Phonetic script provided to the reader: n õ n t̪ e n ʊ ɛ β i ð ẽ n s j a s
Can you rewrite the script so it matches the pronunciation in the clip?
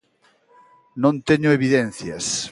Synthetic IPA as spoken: n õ n t̪ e ɲ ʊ e β i ð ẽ n θ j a s